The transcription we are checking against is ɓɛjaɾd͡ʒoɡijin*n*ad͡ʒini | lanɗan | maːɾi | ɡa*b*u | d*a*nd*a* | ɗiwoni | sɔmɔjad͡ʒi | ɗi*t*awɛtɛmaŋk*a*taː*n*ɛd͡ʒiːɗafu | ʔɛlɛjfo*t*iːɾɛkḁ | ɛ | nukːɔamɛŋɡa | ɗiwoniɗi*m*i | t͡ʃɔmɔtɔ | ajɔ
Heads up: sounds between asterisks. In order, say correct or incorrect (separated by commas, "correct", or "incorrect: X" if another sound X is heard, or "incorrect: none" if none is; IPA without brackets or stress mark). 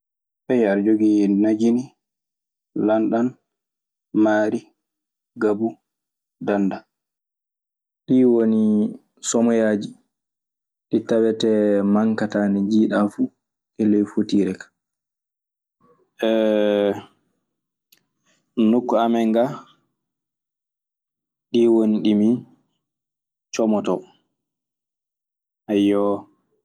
correct, correct, correct, correct, correct, correct, correct, correct, correct